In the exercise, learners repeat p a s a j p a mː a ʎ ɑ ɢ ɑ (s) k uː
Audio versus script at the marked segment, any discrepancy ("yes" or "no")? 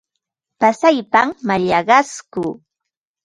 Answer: no